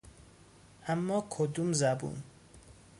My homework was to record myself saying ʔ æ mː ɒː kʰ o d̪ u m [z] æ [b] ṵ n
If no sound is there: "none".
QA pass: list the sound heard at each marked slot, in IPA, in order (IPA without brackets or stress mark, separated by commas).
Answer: z, b